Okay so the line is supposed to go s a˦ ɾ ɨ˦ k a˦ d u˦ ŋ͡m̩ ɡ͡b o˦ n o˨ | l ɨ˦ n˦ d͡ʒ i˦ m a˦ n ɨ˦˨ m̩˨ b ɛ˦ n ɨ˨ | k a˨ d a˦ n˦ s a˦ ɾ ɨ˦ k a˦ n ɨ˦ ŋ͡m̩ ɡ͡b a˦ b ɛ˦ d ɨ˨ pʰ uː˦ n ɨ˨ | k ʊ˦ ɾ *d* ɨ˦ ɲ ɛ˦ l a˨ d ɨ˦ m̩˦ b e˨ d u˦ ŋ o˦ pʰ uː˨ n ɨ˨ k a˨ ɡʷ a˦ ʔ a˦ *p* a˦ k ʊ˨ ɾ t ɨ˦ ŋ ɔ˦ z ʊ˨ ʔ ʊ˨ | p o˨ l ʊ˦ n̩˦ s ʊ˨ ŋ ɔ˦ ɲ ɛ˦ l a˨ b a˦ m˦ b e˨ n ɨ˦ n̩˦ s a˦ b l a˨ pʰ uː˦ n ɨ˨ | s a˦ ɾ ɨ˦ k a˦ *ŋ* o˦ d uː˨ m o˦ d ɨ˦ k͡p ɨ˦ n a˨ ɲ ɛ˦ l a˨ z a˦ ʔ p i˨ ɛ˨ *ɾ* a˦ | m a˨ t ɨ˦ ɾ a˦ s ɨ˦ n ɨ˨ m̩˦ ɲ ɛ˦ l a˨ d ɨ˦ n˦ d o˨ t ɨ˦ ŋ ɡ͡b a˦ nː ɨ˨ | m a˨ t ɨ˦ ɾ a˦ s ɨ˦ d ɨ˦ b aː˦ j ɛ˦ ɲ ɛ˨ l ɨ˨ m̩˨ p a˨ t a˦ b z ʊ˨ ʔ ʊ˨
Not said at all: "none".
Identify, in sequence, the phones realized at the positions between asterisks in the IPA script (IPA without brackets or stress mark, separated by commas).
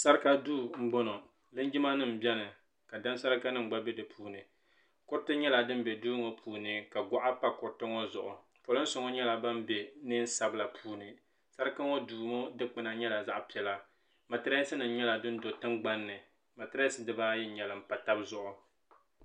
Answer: t, p, ŋ, l